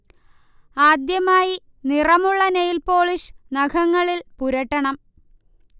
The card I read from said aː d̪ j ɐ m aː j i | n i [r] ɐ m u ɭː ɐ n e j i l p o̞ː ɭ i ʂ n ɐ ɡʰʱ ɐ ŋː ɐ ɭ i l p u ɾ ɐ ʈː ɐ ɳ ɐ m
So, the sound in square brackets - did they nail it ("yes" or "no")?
yes